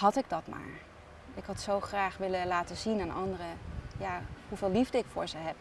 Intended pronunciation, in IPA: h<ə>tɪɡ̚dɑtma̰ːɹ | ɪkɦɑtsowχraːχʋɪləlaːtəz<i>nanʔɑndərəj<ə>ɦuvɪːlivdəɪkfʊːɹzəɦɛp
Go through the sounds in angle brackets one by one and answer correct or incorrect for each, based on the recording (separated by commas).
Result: incorrect, correct, incorrect